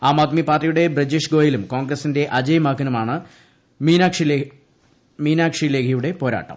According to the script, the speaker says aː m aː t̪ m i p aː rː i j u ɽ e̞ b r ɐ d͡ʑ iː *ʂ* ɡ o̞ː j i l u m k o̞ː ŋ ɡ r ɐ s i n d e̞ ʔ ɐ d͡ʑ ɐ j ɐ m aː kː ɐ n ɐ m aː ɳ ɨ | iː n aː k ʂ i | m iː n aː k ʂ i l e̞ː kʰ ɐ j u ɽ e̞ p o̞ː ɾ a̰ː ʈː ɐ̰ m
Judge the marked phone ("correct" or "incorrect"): correct